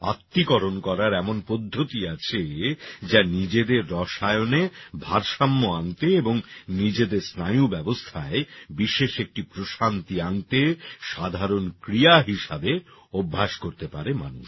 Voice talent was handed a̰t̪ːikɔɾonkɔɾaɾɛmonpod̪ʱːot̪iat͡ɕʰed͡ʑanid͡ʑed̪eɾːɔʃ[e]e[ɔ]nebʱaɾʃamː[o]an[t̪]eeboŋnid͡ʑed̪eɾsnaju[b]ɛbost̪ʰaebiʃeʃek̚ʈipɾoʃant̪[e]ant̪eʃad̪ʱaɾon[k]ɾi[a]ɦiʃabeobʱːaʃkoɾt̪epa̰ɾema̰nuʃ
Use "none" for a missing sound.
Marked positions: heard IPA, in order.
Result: a, o, o, t̪, b, i, k, a

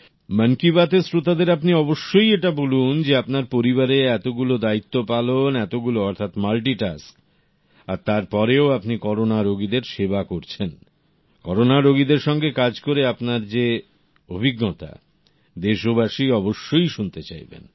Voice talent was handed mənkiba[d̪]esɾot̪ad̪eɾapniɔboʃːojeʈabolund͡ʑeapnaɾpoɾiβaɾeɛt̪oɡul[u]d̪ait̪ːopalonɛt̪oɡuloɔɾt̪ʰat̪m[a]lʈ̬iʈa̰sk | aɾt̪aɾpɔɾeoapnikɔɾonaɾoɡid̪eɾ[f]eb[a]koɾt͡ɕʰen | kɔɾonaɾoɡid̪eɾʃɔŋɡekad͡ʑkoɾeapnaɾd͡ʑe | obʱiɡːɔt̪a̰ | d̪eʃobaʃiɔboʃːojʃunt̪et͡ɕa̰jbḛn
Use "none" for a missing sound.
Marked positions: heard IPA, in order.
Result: t̪, o, a, ʃ, a

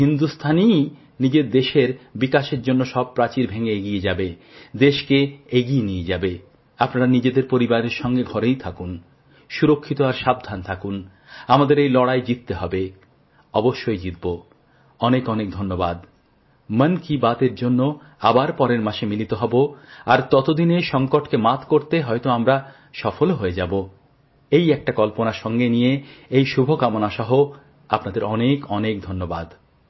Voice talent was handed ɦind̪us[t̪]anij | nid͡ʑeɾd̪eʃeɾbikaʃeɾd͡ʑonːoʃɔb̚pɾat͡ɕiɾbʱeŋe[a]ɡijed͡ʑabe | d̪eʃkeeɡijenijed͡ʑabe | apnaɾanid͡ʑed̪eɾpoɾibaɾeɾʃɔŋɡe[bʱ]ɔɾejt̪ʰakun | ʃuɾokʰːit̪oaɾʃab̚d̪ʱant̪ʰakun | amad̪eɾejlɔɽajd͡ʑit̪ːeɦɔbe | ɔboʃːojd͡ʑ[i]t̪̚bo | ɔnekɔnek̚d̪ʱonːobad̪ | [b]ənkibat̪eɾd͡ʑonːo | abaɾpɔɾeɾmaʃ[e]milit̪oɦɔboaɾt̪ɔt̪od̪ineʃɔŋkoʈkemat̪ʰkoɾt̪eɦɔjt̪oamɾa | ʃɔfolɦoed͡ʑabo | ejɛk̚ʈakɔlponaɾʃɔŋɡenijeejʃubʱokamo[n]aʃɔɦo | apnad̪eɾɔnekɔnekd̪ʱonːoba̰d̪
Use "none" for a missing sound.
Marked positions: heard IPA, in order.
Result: t̪ʰ, e, ɡʱ, i, m, e, n

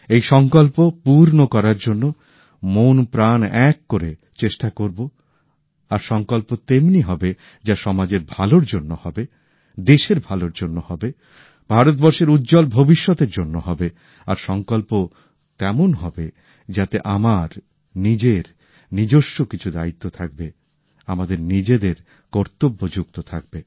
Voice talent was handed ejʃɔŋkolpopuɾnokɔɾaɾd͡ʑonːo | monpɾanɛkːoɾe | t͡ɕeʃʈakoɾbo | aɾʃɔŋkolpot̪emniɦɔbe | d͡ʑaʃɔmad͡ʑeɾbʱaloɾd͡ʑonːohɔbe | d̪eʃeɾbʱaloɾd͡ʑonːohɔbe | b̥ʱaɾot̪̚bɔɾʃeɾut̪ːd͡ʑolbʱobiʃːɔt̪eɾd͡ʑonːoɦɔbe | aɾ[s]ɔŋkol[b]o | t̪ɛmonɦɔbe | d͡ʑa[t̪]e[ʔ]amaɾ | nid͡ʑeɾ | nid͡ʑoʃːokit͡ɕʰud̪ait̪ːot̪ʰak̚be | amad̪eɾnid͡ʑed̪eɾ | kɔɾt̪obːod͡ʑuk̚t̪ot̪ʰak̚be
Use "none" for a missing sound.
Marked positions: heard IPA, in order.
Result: ʃ, p, t̪, ʔ

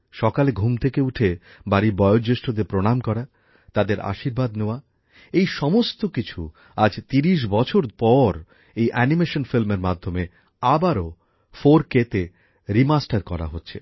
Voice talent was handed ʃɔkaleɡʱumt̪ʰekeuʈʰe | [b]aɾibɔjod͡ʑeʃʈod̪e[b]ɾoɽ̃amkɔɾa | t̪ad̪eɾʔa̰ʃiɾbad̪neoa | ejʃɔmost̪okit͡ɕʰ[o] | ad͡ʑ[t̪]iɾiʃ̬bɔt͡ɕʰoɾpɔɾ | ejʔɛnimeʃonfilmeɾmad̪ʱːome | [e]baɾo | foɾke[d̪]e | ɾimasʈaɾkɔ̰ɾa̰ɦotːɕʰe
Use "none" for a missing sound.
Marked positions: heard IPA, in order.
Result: b, p, u, t̪, a, t̪

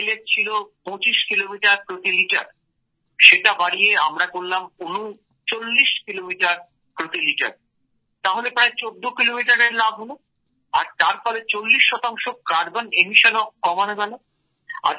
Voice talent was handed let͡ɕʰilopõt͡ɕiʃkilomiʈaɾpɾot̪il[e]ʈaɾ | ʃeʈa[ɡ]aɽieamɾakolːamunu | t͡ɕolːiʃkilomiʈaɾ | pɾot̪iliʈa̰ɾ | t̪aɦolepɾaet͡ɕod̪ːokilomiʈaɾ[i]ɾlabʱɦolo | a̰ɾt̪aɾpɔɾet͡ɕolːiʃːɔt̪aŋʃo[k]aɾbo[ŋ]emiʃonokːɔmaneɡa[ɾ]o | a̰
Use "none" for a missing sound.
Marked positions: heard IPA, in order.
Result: i, b, e, k, n, l

